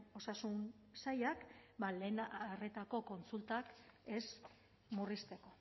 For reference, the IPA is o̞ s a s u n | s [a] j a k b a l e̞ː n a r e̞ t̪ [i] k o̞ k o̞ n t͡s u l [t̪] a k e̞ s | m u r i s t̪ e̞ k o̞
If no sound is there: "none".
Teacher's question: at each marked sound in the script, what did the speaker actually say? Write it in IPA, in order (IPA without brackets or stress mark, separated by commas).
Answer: a, a, t̪